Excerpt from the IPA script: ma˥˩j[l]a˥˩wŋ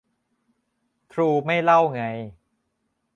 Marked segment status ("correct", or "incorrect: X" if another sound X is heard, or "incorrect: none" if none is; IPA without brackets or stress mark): correct